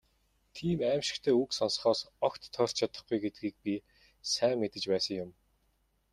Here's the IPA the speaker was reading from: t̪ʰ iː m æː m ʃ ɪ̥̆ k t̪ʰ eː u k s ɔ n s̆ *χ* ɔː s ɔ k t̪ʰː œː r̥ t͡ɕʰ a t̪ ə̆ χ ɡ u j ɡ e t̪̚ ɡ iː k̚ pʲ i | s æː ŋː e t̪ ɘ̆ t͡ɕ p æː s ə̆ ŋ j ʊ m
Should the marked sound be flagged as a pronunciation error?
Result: no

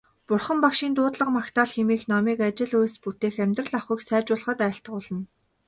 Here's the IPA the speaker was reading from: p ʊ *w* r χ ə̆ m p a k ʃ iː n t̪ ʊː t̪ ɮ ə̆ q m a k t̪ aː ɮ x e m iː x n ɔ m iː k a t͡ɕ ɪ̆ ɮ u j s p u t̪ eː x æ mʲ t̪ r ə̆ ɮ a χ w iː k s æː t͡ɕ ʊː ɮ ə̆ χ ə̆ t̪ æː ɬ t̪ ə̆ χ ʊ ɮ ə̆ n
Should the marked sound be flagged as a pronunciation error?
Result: yes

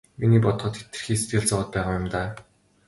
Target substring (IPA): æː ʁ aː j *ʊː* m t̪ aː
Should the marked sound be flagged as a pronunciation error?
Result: yes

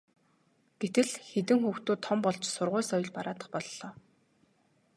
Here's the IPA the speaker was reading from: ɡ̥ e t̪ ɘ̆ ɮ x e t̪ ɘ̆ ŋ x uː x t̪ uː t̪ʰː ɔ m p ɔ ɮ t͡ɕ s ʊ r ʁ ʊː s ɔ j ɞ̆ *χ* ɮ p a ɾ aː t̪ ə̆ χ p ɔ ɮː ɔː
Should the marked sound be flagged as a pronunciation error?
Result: yes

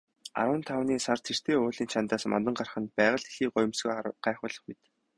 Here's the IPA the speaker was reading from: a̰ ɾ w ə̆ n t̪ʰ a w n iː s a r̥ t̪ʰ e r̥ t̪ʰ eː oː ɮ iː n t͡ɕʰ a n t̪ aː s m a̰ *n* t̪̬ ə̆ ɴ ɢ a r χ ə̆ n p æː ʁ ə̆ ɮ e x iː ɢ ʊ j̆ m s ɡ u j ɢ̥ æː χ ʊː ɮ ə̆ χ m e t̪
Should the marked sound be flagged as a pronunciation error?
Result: no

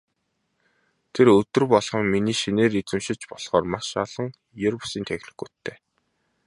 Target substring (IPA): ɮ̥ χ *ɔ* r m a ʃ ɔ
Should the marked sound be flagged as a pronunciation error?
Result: yes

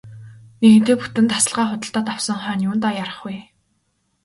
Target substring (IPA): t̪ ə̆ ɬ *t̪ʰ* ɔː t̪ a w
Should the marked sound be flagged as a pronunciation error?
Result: yes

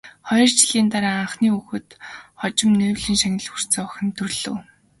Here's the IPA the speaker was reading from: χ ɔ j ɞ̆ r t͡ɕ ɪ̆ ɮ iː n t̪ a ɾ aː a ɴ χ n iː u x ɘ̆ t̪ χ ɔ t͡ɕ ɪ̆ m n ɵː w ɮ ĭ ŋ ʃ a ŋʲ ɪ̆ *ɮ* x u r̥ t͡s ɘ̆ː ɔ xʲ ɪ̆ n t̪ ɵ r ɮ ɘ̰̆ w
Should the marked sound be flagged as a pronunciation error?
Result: no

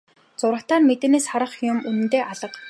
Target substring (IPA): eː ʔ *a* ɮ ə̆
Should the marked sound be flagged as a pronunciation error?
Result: no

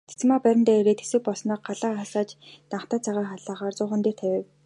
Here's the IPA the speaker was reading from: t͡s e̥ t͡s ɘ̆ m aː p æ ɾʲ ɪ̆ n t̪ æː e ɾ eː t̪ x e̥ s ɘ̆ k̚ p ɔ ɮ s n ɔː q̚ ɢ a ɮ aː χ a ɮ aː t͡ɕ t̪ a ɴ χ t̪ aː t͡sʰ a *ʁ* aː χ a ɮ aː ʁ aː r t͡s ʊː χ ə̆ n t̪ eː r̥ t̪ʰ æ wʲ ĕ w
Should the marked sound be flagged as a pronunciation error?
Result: no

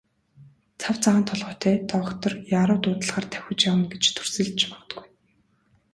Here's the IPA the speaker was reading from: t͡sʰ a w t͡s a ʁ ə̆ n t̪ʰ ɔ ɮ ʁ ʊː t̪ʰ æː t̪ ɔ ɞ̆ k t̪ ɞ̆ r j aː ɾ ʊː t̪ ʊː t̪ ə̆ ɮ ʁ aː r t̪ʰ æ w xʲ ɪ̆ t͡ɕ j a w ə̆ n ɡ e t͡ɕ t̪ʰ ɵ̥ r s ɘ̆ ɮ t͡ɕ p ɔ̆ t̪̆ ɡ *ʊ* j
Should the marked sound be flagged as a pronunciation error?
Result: yes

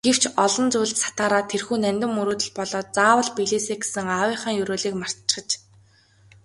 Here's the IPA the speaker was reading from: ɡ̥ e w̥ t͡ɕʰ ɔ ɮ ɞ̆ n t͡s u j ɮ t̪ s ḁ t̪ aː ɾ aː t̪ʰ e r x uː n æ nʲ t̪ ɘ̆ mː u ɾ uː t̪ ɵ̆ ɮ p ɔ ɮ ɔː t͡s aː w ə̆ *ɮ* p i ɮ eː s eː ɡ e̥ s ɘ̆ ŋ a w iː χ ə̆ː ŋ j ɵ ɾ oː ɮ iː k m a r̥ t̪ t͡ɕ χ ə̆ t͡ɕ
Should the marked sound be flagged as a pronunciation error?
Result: no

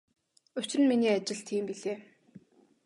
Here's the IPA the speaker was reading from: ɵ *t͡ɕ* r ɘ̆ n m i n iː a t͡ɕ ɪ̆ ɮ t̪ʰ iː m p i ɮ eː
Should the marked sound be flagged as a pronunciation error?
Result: no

